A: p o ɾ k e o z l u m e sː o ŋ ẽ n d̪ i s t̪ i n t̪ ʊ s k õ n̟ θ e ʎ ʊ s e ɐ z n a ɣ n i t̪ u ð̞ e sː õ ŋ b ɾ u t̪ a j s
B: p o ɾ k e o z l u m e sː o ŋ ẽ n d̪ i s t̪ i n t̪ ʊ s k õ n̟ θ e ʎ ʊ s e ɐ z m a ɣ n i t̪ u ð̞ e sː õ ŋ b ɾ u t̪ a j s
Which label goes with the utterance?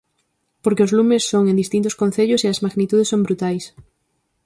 B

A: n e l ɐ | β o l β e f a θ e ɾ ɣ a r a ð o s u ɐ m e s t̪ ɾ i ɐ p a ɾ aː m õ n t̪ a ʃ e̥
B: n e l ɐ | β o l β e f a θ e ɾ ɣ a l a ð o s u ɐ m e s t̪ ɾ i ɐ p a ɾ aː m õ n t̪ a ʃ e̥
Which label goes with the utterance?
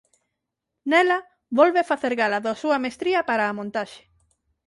B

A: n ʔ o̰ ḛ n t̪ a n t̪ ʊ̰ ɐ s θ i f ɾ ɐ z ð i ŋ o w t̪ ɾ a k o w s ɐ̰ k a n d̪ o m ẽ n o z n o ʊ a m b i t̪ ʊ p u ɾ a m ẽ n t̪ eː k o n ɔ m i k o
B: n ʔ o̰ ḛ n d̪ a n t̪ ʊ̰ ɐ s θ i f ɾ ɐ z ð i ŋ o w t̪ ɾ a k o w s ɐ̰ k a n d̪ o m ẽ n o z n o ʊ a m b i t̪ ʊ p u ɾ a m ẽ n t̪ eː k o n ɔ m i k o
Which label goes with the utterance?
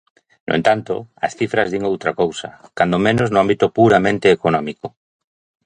A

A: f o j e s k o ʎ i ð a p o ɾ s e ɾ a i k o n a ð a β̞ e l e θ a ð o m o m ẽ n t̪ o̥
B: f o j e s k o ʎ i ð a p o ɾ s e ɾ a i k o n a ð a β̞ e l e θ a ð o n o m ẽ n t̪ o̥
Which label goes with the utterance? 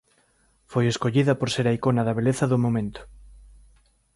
A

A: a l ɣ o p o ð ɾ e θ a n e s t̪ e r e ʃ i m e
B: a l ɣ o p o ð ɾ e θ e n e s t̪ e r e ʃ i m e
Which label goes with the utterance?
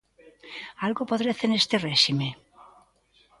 B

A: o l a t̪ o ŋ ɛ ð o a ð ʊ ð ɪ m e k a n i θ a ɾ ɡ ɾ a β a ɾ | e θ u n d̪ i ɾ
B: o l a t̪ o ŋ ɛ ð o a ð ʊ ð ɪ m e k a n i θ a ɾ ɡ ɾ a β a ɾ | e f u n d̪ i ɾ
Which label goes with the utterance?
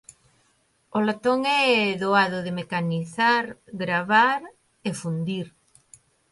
B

